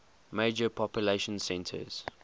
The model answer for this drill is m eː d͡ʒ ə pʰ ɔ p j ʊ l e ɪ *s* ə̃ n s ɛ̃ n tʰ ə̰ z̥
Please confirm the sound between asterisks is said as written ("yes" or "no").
no